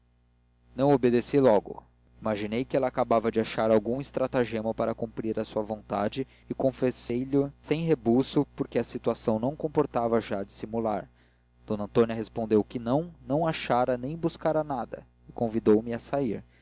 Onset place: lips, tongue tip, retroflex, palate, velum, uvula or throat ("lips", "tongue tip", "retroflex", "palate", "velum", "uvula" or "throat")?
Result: tongue tip